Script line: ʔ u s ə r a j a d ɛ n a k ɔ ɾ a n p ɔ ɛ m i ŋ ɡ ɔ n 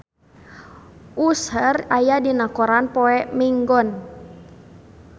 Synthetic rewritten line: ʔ u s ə r a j a d i n a k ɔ ɾ a n p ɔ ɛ m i ŋ ɡ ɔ n